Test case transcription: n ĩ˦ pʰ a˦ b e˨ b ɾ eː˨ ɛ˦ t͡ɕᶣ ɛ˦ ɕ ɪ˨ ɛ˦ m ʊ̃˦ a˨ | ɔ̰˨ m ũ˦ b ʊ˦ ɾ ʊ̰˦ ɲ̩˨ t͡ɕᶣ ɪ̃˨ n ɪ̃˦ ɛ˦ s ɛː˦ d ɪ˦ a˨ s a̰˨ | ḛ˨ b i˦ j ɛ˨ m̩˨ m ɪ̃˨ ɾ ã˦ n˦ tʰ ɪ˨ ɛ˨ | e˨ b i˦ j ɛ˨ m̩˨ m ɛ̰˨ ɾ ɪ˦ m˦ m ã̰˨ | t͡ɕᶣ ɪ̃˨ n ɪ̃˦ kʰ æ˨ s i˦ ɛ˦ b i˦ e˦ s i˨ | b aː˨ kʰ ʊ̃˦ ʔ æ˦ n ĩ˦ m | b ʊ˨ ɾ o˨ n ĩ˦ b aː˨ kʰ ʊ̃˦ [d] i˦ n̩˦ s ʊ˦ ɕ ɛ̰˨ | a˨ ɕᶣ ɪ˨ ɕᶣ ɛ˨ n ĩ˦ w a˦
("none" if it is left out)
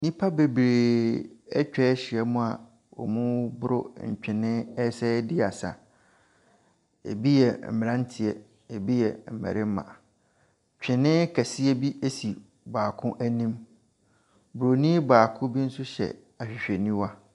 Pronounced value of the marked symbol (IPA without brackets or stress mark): b